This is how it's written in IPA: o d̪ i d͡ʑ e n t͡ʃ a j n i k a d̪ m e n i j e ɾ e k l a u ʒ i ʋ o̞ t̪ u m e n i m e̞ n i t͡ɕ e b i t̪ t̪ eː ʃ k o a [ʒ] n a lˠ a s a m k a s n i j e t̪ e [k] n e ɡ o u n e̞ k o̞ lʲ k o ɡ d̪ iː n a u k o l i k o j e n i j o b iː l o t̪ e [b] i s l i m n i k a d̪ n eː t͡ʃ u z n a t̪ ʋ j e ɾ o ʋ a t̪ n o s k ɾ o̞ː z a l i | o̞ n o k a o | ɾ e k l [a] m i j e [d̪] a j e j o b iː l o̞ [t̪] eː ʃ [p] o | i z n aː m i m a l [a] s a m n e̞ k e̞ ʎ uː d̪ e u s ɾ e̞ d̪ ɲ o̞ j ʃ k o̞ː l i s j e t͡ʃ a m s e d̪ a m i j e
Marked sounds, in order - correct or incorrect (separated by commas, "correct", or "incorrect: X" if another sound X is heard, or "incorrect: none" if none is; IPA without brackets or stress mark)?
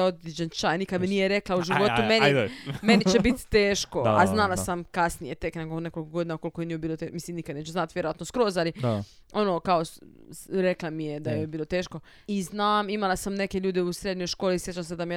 incorrect: z, correct, incorrect: m, correct, correct, correct, incorrect: k, correct